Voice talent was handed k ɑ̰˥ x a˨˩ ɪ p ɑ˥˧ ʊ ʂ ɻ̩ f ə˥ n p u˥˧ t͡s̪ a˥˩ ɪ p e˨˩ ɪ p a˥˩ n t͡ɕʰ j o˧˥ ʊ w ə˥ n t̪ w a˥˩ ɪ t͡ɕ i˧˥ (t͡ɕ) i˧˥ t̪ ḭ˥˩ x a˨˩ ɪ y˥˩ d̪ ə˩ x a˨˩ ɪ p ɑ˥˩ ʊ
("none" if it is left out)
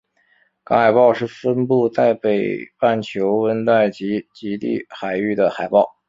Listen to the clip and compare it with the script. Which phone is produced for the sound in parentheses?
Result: t͡ɕ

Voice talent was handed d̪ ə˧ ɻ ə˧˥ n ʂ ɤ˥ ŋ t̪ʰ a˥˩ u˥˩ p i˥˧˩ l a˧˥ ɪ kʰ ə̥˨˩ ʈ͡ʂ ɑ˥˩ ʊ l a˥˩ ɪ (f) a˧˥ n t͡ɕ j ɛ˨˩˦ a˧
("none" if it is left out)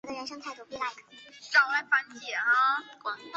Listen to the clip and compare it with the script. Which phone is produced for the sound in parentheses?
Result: f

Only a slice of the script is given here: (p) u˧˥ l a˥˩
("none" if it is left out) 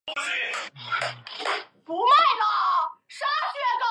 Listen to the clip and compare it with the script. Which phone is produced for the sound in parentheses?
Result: p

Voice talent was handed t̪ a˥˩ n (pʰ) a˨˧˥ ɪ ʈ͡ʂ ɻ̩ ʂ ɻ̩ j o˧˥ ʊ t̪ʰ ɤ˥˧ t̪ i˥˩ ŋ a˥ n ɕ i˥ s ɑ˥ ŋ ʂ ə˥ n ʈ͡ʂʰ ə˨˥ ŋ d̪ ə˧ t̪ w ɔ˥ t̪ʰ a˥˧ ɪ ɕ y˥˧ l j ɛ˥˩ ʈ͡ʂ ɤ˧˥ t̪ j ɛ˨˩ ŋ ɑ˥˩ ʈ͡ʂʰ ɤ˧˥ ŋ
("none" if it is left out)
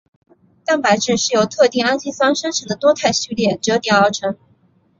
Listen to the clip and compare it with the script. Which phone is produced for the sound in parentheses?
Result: p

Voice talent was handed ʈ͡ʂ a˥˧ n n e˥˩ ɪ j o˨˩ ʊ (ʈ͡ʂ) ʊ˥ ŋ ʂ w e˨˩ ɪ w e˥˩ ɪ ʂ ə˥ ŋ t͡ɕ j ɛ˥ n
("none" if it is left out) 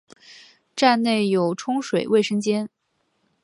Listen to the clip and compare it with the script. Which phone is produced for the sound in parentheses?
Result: ʈ͡ʂʰ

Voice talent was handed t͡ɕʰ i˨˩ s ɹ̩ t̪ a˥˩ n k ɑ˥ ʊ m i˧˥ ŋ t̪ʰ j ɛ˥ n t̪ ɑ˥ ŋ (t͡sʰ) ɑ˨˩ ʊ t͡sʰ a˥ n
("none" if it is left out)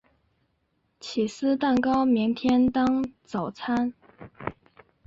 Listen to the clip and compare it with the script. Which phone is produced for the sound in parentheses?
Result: t͡s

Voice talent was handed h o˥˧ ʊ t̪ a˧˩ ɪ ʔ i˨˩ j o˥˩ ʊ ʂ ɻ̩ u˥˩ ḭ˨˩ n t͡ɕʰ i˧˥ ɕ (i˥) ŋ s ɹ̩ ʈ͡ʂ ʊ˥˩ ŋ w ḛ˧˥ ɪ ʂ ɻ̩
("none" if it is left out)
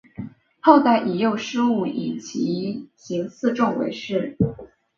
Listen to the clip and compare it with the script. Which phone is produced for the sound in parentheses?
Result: i˧˥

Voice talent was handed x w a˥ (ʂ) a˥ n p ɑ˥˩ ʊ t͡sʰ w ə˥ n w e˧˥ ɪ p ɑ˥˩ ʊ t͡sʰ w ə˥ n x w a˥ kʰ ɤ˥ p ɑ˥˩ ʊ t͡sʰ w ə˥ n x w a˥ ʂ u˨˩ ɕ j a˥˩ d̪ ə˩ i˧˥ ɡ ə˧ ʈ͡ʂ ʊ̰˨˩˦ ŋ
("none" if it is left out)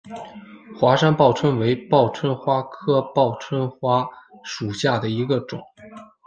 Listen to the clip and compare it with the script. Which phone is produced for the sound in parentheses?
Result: ʂ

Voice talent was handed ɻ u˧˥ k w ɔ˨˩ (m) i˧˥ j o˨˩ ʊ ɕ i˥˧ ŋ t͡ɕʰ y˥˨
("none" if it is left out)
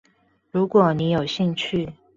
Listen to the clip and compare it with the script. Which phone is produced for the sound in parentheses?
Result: n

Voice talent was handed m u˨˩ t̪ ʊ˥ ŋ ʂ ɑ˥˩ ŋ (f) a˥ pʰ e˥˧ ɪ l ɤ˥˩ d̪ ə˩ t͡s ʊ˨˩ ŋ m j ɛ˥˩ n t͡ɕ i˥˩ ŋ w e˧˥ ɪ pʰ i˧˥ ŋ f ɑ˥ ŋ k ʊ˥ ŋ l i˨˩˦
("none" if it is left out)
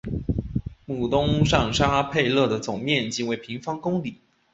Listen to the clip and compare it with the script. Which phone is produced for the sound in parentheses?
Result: ʂ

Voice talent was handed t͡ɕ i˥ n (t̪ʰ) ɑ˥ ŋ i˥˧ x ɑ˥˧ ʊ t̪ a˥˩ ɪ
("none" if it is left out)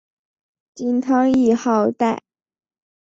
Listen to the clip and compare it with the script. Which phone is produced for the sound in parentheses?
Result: t̪ʰ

